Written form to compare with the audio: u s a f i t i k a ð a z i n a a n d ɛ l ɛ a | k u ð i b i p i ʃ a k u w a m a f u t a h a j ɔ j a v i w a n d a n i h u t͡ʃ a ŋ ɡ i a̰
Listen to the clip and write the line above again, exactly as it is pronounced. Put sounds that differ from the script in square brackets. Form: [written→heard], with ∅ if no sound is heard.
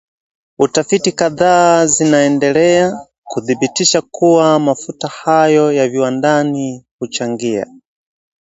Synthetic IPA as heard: u [s→t] a f i t i k a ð a z i n a [a→ɛ] n d ɛ l ɛ a | k u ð i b i [p→t] i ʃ a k u w a m a f u t a h a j ɔ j a v i w a n d a n i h u t͡ʃ a ŋ ɡ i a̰